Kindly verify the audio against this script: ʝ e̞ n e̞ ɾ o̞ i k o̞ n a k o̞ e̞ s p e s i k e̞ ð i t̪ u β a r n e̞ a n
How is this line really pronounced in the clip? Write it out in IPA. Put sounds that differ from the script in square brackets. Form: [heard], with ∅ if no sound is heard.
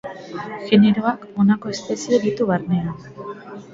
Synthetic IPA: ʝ e̞ n e̞ ɾ o̞ [a] k o̞ n a k o̞ e̞ s p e s i [∅] e̞ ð i t̪ u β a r n e̞ a n